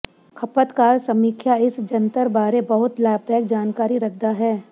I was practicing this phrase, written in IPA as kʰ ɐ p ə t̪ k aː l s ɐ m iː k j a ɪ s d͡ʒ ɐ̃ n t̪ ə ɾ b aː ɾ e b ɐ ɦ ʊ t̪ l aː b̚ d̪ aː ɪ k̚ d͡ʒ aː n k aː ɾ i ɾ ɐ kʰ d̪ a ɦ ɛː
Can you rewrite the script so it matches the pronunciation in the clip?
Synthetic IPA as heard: kʰ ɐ p ə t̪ k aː ɾ s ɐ m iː kʰ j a ɪ s d͡ʒ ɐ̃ n t̪ ə ɾ b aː ɾ e b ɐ ɦ ʊ t̪ l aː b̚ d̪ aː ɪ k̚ d͡ʒ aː n k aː ɾ i ɾ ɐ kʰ d̪ a ɦ ɛː